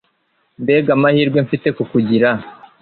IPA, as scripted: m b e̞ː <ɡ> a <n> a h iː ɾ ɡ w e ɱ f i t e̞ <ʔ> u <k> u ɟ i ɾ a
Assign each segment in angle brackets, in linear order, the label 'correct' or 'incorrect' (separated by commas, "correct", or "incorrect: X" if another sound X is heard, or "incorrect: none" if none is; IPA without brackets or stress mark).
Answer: correct, incorrect: m, incorrect: k, correct